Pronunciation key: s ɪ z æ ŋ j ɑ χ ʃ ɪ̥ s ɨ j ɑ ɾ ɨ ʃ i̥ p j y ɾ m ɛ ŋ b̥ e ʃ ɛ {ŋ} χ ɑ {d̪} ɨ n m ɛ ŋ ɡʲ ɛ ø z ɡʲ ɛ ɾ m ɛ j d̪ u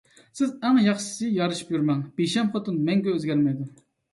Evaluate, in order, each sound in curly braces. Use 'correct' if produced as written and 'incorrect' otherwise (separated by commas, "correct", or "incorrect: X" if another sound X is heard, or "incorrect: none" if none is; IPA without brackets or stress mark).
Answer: incorrect: m, incorrect: t̪